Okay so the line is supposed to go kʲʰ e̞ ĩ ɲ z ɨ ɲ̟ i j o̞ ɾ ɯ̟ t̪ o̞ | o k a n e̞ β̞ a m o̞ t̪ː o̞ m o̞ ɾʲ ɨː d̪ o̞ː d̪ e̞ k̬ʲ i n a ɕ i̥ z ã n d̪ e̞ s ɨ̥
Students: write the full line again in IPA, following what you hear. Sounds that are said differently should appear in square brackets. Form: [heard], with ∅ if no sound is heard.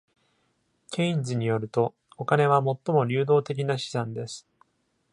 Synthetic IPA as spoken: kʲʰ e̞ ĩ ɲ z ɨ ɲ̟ i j o̞ ɾ ɯ̟ t̪ o̞ | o k a n e̞ β̞ a m o̞ t̪ː o̞ m o̞ ɾʲ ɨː d̪ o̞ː [t̪] e̞ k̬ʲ i n a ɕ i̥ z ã n d̪ e̞ s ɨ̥